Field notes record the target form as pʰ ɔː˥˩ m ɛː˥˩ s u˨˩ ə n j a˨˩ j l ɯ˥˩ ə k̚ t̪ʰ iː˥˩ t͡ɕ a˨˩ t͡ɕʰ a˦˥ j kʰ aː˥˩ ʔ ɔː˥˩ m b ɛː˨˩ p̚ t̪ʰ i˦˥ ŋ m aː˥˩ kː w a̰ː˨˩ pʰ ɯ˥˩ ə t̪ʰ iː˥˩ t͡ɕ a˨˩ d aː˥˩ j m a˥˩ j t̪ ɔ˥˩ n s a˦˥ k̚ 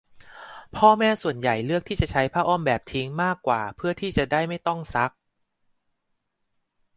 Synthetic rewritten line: pʰ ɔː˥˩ m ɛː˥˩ s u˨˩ ə n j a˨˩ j l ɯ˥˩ ə k̚ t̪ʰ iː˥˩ t͡ɕ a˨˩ t͡ɕʰ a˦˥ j pʰ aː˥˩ ʔ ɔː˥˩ m b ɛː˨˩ p̚ t̪ʰ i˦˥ ŋ m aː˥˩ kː w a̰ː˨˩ pʰ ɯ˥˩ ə t̪ʰ iː˥˩ t͡ɕ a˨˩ d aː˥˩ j m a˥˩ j t̪ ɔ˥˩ ŋ s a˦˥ k̚

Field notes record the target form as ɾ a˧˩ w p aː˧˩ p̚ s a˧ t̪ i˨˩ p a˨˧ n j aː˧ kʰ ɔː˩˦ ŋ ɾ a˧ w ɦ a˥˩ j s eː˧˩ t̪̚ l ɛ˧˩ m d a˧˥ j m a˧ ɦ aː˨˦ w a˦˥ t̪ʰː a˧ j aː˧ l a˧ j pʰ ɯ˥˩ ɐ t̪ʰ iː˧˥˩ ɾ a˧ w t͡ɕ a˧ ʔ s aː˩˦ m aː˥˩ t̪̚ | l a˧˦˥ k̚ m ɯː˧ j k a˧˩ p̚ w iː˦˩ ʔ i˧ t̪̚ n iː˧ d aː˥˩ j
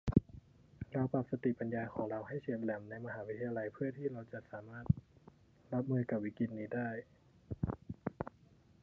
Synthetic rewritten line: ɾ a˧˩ w p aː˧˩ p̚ s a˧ t̪ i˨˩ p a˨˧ n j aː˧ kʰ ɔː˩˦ ŋ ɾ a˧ w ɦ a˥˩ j s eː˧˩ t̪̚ l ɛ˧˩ m n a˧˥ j m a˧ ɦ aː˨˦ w i˦˥ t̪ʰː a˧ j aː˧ l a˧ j pʰ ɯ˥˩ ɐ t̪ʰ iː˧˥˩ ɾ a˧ w t͡ɕ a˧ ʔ s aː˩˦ m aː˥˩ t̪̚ | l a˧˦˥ p̚ m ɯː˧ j k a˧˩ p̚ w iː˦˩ k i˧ t̪̚ n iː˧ d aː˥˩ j

